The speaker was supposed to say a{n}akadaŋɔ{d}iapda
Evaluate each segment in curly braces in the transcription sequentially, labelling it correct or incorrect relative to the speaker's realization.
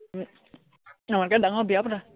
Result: incorrect, incorrect

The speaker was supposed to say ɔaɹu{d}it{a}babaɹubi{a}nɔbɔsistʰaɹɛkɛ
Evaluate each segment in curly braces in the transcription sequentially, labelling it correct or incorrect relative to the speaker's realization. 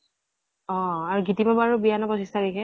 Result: incorrect, incorrect, correct

